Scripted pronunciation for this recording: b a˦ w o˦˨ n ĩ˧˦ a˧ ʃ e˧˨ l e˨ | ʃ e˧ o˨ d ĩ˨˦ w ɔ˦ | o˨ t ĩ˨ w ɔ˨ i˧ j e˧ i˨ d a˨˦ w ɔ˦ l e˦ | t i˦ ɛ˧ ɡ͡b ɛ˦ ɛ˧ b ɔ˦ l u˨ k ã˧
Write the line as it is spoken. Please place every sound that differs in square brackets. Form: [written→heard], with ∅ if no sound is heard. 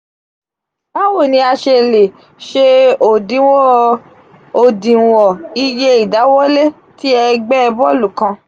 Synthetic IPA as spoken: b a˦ w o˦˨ n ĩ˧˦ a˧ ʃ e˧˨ l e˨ | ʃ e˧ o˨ d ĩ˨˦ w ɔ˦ | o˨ [t→d] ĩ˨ w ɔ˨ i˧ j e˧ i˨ d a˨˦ w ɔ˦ l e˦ | t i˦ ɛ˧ ɡ͡b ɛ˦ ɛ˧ b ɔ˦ l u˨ k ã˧

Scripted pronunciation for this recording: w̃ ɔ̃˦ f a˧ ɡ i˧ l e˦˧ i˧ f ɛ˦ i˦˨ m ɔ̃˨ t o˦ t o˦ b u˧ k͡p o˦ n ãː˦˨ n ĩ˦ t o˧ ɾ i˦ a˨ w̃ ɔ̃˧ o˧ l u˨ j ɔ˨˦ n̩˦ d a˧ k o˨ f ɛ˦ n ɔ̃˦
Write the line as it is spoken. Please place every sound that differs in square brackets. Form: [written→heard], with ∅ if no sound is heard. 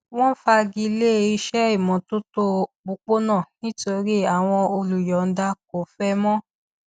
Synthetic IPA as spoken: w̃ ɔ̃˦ f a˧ ɡ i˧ l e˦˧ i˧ [f→ʃ] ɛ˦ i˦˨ m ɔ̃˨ t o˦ t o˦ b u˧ k͡p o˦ n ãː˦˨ n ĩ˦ t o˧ ɾ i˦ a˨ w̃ ɔ̃˧ o˧ l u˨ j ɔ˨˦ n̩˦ d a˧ k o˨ f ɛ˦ [n→m] ɔ̃˦

